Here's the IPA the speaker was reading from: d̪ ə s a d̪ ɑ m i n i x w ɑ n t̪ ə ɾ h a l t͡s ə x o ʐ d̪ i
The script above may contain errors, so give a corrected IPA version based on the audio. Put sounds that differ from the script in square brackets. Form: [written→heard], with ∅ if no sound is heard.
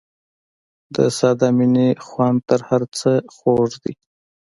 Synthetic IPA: d̪ ə s [a→ɑ] d̪ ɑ m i n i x w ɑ n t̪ ə ɾ h a [l→ɾ] t͡s ə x o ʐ d̪ i